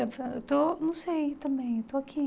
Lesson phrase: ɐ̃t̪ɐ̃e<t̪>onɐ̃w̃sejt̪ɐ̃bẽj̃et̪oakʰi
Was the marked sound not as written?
no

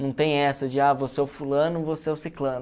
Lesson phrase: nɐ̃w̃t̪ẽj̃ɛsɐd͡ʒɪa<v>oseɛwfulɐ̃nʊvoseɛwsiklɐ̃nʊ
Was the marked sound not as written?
no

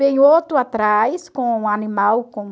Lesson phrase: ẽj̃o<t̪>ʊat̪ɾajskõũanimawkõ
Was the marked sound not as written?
no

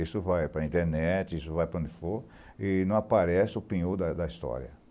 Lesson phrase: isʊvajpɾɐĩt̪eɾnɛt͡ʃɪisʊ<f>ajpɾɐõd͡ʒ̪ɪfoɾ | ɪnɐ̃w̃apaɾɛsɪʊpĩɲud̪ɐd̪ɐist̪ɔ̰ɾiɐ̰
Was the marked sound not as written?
yes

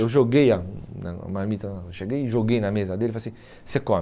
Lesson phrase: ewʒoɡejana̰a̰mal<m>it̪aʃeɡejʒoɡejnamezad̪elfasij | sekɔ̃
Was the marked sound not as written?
no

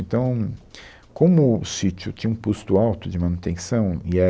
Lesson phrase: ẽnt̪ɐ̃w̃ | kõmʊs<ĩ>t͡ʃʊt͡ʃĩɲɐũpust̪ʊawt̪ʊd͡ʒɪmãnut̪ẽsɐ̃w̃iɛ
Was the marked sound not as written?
yes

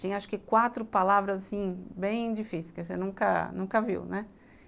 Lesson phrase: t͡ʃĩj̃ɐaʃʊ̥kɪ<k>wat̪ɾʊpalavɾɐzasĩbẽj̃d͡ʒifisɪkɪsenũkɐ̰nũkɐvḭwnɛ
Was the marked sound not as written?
no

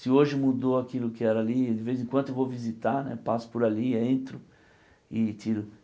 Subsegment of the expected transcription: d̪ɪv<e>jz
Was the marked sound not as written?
no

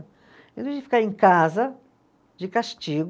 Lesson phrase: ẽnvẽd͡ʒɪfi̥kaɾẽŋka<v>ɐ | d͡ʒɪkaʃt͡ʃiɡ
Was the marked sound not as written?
yes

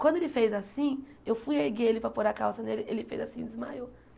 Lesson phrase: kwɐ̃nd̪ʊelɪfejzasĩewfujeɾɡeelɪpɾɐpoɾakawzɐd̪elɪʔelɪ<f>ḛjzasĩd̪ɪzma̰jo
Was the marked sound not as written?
no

